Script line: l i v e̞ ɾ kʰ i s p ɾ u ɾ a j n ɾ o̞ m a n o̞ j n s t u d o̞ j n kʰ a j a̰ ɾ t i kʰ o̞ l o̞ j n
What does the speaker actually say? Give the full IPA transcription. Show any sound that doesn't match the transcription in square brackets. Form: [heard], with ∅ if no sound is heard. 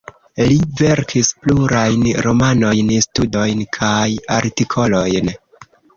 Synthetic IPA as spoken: l i v e̞ ɾ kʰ i s p [l] u ɾ a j n ɾ o̞ m a n o̞ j n s t u d o̞ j n kʰ a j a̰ ɾ t i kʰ o̞ l o̞ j n